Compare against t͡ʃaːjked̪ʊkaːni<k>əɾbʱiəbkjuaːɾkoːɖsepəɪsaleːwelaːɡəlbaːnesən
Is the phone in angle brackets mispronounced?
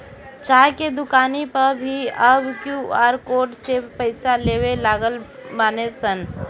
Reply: yes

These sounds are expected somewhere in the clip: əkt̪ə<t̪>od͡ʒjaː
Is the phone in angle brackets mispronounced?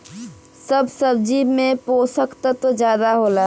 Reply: no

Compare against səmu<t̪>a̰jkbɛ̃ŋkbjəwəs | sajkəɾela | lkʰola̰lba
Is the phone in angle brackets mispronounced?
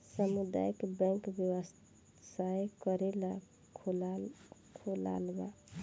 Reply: yes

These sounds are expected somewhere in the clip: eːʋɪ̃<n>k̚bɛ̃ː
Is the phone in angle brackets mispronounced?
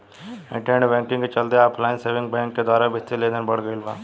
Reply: yes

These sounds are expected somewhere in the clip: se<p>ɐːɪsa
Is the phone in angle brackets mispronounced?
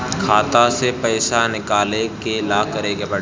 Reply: no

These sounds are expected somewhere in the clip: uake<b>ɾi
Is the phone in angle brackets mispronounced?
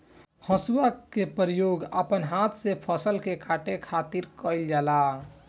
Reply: yes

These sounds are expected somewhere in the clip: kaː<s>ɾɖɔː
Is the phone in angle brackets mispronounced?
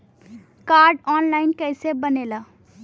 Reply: yes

